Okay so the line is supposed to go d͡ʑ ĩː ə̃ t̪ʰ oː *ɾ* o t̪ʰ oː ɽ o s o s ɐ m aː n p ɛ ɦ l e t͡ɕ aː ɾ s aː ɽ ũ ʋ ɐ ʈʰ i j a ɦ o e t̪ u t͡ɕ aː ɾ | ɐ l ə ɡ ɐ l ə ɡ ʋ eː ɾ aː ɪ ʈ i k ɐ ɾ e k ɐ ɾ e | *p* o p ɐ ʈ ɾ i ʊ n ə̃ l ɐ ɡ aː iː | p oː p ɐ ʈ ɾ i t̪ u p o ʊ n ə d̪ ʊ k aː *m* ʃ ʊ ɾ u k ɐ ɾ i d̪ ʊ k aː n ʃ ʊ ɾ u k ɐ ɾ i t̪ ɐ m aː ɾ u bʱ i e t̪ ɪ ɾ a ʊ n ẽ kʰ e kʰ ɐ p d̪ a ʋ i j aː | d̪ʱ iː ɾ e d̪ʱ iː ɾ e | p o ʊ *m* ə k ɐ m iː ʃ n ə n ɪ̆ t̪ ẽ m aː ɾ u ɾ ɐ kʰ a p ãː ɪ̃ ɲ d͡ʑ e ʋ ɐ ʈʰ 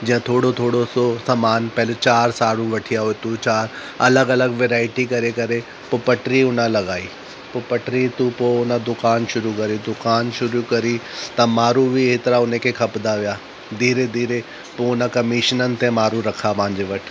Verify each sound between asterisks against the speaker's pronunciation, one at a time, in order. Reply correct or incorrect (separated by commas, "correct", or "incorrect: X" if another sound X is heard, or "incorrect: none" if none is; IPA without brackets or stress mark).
incorrect: ɽ, correct, incorrect: n, incorrect: n